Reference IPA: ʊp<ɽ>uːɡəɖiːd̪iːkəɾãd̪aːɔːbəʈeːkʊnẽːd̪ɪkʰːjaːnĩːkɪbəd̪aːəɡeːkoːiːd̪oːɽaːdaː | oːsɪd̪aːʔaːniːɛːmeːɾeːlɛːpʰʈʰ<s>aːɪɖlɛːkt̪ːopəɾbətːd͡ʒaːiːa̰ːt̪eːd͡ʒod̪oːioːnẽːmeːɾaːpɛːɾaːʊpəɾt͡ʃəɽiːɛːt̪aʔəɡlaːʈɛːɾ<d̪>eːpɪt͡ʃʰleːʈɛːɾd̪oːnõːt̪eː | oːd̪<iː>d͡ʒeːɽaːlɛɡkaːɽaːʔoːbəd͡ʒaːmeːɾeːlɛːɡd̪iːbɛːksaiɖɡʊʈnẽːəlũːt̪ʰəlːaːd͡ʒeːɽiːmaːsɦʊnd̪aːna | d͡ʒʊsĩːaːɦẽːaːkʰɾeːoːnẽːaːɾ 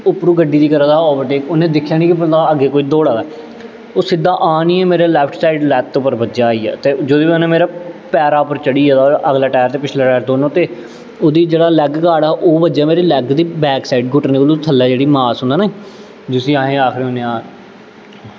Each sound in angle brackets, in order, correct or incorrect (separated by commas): incorrect, correct, incorrect, correct